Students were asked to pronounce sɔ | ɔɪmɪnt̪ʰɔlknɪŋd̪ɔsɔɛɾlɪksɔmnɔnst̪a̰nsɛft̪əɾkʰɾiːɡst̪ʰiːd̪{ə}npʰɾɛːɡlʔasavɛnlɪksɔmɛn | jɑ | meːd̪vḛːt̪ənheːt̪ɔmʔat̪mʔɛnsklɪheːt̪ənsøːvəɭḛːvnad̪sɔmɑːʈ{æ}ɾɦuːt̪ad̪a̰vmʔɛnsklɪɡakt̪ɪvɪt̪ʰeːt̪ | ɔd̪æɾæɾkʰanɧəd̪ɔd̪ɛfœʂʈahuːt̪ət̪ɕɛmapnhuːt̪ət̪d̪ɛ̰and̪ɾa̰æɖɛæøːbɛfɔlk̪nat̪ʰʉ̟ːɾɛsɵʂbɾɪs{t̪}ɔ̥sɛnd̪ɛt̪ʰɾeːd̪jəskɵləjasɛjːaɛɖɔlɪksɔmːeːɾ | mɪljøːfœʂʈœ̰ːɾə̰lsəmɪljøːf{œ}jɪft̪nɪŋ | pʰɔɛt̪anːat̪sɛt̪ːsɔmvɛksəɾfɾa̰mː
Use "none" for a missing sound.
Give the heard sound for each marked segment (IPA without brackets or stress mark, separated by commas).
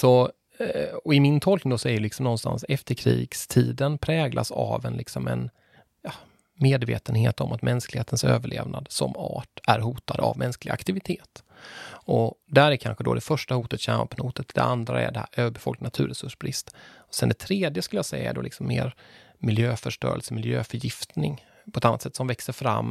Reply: ə, æ, t̪, œ